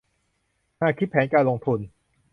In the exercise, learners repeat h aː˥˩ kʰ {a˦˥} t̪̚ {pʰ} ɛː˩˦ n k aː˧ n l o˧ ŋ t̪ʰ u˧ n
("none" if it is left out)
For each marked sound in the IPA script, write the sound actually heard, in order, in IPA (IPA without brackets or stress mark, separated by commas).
i˦˥, pʰ